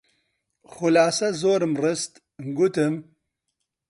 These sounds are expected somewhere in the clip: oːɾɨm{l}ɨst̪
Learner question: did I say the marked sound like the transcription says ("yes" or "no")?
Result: no